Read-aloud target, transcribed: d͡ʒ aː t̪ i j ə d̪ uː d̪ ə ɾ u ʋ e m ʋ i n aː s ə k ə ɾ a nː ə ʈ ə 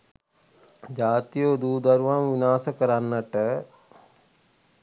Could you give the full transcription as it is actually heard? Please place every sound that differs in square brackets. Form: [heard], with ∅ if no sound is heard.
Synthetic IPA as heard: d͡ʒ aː t̪ i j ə d̪ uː d̪ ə ɾ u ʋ [a] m ʋ i n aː s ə k ə ɾ a nː ə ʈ ə

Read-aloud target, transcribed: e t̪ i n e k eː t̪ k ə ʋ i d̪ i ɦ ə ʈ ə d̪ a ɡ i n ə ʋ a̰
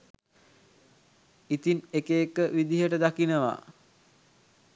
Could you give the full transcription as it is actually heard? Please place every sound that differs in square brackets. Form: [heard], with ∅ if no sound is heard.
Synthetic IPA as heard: [i] t̪ i n e k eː [∅] k ə ʋ i d̪ i ɦ ə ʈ ə d̪ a [k] i n ə ʋ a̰

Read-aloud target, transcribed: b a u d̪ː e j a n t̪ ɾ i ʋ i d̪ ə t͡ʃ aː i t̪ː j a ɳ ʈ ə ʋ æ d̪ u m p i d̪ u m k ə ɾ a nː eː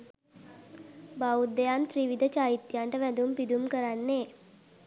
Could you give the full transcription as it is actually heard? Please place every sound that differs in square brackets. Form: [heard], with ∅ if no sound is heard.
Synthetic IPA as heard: b a u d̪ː e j a n t̪ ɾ i ʋ i d̪ ə t͡ʃ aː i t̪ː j a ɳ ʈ ə ʋ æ d̪ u m p i d̪ u m k ə ɾ a nː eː

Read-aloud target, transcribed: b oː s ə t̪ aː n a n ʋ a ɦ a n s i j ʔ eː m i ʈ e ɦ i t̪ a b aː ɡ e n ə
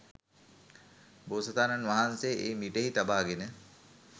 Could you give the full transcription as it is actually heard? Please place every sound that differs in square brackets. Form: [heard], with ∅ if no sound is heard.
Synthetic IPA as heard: b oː s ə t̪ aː n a n ʋ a ɦ a n s [e] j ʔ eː m i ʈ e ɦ i t̪ a b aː ɡ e n ə

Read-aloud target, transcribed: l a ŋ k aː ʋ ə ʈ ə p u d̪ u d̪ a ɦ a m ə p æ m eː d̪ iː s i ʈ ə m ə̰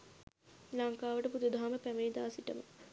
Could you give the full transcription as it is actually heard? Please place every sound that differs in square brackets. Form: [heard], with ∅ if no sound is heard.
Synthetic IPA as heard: l a ŋ k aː ʋ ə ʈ ə p u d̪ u d̪ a ɦ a m ə p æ m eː d̪ [aː] s i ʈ ə m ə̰

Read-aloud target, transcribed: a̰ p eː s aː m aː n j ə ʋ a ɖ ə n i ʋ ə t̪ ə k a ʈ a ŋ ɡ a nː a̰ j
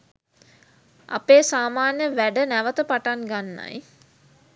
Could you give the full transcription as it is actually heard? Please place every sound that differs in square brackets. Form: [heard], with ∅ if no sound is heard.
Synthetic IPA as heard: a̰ p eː s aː m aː n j ə ʋ [æ] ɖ ə n [æ] ʋ ə t̪ ə [p] a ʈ a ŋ ɡ a nː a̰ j

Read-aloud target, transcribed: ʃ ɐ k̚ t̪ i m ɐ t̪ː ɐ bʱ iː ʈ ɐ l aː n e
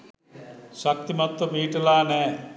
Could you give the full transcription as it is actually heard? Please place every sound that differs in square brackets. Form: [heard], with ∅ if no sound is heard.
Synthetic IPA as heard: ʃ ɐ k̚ t̪ i m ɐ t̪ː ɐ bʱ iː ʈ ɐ l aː n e

